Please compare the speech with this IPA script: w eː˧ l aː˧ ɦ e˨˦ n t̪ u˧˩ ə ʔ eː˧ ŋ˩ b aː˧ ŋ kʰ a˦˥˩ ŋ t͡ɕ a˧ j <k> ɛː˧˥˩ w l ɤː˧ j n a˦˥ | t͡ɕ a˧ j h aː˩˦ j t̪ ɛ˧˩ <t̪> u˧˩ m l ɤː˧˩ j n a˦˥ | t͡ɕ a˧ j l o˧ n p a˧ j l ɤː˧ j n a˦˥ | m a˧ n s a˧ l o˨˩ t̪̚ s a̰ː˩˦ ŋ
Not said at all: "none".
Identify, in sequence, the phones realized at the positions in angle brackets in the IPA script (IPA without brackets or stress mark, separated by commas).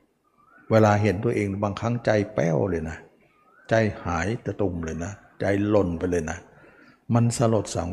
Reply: p, t̪